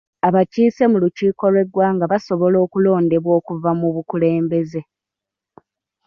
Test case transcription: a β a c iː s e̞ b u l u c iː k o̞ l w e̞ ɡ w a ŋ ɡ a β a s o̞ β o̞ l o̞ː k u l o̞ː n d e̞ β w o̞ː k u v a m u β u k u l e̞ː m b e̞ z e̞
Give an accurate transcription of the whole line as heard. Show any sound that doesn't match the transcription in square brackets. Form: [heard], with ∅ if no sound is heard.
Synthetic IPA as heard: a β a c iː s e̞ [m] u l u c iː k o̞ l w e̞ ɡ w a ŋ ɡ a β a s o̞ β o̞ l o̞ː k u l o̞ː n d e̞ β w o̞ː k u v a m u β u k u l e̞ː m b e̞ z e̞